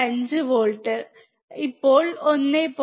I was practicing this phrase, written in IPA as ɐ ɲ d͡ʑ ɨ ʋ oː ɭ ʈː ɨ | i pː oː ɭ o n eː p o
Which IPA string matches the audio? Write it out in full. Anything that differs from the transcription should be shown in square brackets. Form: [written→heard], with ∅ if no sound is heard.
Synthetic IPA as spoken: ɐ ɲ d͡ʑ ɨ ʋ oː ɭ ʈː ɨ | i pː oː ɭ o [n→nː] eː p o

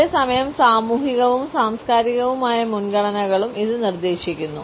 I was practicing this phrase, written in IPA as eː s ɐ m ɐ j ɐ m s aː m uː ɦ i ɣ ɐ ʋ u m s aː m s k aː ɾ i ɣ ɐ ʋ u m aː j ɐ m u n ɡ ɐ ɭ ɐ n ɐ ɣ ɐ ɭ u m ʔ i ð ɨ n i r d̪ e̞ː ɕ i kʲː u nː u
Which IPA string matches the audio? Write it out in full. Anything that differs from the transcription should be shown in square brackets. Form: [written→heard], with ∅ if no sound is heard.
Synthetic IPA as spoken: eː s ɐ m ɐ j ɐ m s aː m uː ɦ i ɣ ɐ ʋ u m s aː m s k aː ɾ i ɣ ɐ ʋ u m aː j ɐ m u n ɡ ɐ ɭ ɐ n ɐ ɣ ɐ ɭ u m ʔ i ð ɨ n i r d̪ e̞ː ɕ i kʲː u nː u

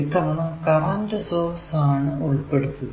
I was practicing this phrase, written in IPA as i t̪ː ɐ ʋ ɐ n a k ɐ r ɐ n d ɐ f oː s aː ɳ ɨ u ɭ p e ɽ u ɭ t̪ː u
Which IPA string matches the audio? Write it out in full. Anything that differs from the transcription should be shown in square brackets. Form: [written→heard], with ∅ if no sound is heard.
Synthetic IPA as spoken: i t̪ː ɐ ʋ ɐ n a k ɐ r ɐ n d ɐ [f→s] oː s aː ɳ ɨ u ɭ p e ɽ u [ɭ→∅] t̪ː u

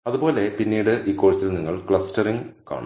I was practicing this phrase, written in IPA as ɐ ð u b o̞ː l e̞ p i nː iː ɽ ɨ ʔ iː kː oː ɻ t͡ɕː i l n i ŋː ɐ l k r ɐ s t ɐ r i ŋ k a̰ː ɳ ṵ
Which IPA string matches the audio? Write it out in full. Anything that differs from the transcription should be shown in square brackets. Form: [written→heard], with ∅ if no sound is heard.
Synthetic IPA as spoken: ɐ ð u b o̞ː l e̞ p i nː iː ɽ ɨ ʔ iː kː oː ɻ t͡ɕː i l n i ŋː ɐ [l→ɭ] k [r→ɭ] ɐ s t ɐ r i ŋ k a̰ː ɳ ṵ

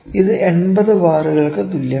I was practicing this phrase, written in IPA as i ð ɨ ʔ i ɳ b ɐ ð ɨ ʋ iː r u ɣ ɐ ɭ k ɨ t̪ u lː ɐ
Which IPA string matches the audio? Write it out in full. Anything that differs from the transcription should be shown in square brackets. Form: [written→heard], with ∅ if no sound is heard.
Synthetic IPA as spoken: i ð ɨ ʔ [i→e] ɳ b ɐ ð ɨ ʋ [iː→aː] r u ɣ ɐ ɭ k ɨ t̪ u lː ɐ

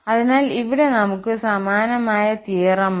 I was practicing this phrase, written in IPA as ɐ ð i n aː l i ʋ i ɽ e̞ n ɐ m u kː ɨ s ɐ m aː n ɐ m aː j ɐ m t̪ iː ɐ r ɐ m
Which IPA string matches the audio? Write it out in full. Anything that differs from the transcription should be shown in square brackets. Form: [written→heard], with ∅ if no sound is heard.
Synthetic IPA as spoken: ɐ ð i n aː l i ʋ i ɽ e̞ n ɐ m u kː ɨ s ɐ m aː n ɐ m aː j ɐ [m→∅] t̪ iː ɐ r ɐ m

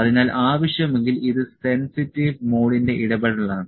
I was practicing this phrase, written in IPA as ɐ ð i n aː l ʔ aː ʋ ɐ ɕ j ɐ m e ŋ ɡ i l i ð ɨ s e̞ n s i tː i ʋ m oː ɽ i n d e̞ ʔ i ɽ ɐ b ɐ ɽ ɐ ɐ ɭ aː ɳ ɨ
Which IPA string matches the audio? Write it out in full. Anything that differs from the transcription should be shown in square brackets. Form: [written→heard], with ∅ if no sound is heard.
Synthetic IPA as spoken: ɐ ð i n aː l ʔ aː ʋ ɐ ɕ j ɐ m e ŋ ɡ i l i ð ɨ s e̞ n s i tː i ʋ m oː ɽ i n d e̞ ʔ i ɽ ɐ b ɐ ɽ ɐ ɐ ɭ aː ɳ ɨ

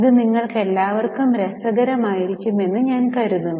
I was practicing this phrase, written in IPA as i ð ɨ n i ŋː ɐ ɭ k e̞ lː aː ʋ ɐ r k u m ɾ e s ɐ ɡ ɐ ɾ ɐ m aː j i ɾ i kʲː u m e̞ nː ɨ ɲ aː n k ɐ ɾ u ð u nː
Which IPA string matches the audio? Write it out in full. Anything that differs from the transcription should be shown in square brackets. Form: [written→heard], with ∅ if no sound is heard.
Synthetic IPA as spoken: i ð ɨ n i ŋː ɐ ɭ k e̞ lː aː ʋ ɐ r k u m ɾ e s ɐ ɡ ɐ ɾ ɐ m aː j i ɾ i kʲː u m e̞ nː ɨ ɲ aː n k ɐ ɾ u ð u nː

